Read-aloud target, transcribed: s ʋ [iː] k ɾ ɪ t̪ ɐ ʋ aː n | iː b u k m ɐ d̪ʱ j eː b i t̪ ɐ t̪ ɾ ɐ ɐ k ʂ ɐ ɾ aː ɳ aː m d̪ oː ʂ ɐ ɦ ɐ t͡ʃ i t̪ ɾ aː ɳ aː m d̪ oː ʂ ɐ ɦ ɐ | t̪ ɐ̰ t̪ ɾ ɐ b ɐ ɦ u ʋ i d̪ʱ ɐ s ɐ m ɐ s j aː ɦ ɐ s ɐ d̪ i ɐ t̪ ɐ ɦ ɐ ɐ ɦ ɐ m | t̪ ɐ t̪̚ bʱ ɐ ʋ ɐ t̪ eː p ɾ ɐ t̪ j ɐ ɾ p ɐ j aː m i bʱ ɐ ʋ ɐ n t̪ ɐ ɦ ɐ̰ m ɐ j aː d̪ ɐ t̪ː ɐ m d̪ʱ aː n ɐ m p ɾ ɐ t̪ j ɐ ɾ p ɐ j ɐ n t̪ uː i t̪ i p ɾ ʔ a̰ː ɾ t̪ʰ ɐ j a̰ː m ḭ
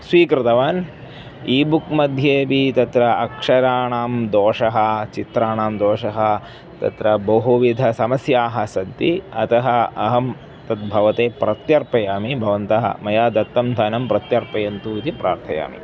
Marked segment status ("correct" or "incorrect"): correct